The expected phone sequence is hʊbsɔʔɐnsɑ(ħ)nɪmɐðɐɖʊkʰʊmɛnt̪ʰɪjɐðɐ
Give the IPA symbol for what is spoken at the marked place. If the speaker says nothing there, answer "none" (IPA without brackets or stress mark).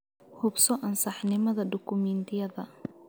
ħ